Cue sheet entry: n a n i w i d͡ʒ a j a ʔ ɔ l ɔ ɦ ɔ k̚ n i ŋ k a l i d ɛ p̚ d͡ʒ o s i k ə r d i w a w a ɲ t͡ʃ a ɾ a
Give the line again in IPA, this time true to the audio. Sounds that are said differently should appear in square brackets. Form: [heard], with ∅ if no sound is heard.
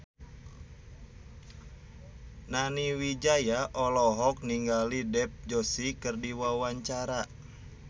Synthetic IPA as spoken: n a n i w i d͡ʒ a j a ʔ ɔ l ɔ ɦ ɔ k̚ n i ŋ [ɡ] a l i d ɛ p̚ d͡ʒ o s i k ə r d i w a w a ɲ t͡ʃ a ɾ a